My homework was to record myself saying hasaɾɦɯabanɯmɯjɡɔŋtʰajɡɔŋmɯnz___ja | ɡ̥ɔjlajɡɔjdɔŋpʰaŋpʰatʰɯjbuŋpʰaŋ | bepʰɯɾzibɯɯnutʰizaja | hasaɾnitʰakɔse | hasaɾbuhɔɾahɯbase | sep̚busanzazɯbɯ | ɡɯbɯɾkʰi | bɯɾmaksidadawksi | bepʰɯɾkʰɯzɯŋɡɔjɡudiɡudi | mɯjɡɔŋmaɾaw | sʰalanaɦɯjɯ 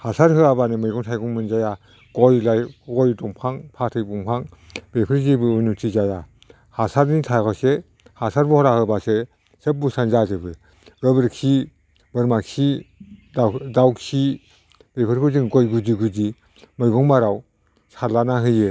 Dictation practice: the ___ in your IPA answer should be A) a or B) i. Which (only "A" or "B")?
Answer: A